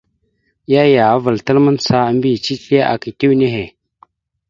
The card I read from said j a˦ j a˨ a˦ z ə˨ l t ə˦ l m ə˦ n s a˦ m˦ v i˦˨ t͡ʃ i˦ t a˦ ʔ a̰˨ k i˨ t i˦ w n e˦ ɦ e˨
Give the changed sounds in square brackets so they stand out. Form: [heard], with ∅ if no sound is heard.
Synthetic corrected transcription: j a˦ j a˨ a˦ [v] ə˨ l t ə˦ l m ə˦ n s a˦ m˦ [b] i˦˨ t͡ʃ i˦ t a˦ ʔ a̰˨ k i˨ t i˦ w n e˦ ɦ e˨